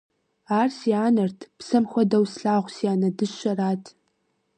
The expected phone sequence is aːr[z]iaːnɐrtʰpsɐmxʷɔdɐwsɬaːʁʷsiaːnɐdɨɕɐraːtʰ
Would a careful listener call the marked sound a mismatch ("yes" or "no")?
yes